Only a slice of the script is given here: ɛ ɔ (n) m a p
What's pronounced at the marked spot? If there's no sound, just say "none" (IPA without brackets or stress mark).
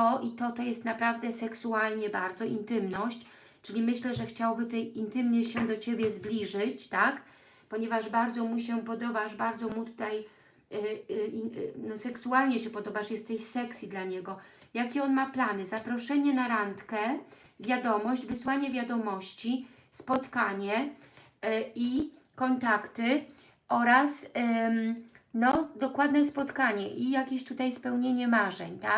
n